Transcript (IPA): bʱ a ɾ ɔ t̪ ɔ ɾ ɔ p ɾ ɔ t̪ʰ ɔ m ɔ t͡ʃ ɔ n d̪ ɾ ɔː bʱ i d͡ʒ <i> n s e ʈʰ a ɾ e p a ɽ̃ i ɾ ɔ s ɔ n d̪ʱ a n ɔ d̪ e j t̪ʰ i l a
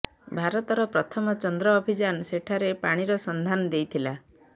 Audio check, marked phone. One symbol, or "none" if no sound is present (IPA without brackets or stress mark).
a